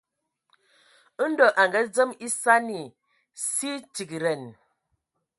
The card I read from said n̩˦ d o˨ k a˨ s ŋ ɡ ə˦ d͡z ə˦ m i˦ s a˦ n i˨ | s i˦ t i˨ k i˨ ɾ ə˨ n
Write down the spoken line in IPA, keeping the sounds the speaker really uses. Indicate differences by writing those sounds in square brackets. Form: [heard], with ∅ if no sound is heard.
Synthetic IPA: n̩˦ d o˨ [ʔ] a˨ [∅] ŋ ɡ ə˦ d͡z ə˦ m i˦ s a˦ n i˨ | s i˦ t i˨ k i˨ ɾ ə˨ n